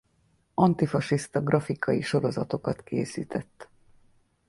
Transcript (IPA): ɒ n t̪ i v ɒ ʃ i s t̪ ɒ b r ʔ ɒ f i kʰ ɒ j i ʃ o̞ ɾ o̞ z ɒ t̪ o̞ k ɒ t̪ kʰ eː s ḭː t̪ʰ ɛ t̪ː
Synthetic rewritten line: ɒ n t̪ i f ɒ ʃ i s t̪ ɒ ɡ r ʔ ɒ f i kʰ ɒ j i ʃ o̞ ɾ o̞ z ɒ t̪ o̞ k ɒ t̪ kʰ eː s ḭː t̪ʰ ɛ t̪ː